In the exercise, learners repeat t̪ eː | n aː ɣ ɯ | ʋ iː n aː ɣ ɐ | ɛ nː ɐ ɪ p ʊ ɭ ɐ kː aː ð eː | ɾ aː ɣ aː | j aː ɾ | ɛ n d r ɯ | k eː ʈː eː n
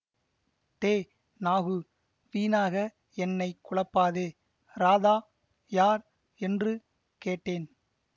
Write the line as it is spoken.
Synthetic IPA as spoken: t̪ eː | n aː ɣ ɯ | ʋ iː n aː ɣ ɐ | ɛ nː ɐ ɪ k ʊ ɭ ɐ pː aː ð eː | ɾ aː ð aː | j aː ɾ | ɛ n d r ɯ | k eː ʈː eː n